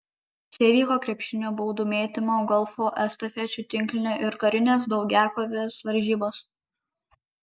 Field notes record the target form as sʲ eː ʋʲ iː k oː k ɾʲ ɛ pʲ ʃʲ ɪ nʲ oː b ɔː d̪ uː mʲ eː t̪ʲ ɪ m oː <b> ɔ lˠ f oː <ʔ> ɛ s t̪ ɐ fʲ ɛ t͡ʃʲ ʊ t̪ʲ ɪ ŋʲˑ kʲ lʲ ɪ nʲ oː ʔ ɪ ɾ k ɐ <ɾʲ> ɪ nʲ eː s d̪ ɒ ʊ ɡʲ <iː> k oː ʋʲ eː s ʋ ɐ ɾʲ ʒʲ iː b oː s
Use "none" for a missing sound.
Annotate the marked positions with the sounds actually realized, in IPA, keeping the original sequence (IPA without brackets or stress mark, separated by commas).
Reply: ɡ, ʔ, ɾʲ, æː